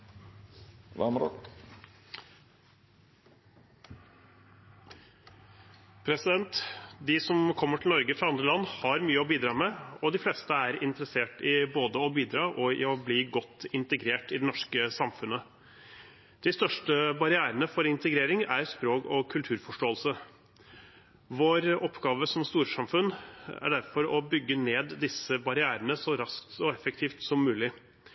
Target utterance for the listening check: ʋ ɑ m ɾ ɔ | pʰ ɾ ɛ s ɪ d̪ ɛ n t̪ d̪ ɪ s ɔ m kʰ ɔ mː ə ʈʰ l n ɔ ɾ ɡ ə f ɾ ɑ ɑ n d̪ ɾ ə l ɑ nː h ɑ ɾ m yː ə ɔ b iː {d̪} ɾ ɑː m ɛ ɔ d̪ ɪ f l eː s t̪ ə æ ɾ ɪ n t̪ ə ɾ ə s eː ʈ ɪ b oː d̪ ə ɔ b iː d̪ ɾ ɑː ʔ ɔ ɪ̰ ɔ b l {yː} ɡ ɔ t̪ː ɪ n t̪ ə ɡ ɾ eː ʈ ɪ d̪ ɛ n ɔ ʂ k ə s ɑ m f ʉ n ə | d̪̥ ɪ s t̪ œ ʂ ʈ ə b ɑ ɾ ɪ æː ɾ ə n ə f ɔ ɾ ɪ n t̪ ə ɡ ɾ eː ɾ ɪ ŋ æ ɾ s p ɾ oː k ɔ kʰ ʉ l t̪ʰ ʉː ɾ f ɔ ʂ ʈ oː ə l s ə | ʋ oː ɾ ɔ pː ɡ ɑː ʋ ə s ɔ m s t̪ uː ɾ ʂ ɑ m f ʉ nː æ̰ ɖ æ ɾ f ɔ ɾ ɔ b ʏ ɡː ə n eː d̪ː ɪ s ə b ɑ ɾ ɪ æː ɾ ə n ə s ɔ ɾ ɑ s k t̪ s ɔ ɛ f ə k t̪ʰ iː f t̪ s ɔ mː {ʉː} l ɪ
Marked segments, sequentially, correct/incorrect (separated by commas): correct, incorrect, correct